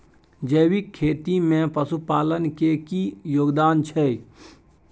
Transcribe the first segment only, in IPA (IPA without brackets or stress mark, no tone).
d͡ʒ